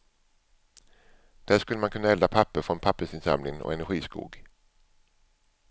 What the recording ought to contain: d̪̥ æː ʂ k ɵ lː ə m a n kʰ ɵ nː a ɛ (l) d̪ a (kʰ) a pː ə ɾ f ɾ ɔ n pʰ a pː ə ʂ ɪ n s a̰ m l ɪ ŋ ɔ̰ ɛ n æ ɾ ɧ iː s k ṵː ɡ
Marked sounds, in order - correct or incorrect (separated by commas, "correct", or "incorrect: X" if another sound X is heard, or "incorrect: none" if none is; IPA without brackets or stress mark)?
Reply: correct, incorrect: pʰ